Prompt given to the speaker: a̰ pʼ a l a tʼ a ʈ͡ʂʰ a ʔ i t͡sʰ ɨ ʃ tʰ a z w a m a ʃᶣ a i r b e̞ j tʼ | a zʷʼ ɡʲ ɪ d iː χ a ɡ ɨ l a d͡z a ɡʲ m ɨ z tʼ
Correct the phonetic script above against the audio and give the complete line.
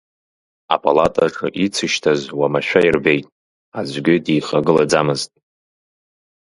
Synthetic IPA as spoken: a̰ pʼ a l a tʼ a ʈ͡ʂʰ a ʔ i t͡sʰ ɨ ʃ tʰ a z w a m a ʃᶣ a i r b e̞ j tʼ | a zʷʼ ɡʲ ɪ d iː χ a ɡ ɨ l a d͡z a m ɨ z tʼ